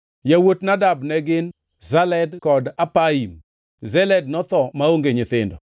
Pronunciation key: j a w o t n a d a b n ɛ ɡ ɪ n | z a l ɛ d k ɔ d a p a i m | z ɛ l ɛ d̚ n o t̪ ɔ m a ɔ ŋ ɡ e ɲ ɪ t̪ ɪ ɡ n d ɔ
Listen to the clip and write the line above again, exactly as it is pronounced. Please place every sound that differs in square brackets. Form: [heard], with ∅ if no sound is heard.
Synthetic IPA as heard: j a w o t n a d a b n ɛ ɡ ɪ n | z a l ɛ d k ɔ d a p a i m | z ɛ l ɛ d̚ n [ɔ] t̪ ɔ m a [o] ŋ ɡ e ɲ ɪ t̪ ɪ [∅] n d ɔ